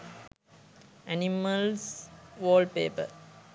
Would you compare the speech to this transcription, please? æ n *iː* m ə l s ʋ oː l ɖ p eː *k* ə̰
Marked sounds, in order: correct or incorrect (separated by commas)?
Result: incorrect, incorrect